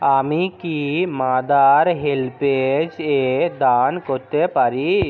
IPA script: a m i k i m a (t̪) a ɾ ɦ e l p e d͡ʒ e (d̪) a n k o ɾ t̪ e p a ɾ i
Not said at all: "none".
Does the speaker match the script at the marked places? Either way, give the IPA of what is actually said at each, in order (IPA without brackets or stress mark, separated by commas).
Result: d̪, d̪